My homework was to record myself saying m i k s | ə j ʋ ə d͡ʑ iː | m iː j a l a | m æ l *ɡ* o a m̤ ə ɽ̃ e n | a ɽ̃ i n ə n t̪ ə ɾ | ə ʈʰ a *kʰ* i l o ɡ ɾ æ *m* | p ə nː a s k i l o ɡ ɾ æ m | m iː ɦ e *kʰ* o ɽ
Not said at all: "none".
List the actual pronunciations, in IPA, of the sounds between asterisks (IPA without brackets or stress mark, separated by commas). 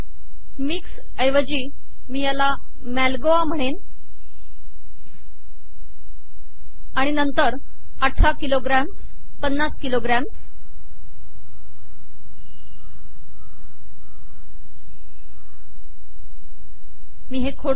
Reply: ɡ, k, m, kʰ